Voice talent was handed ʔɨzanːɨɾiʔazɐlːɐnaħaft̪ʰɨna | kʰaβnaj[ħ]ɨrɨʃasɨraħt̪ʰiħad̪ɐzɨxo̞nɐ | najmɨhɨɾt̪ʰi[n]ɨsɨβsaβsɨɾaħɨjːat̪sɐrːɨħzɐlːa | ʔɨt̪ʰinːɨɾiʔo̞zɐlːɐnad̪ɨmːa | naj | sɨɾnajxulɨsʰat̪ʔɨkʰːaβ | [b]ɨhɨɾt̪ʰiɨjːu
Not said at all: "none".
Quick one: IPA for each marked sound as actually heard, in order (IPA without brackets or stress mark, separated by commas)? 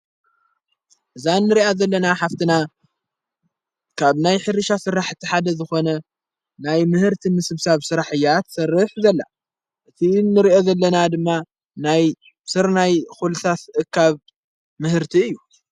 ħ, m, m